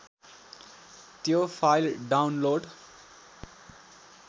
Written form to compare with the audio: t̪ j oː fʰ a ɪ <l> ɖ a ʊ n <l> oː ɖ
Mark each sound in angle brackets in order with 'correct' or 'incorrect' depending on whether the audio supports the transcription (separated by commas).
correct, correct